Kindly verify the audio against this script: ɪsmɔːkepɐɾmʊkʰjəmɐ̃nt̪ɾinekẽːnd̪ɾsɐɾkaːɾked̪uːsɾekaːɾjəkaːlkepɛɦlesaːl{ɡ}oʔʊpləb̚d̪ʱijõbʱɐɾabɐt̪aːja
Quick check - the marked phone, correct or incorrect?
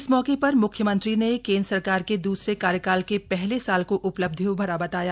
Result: incorrect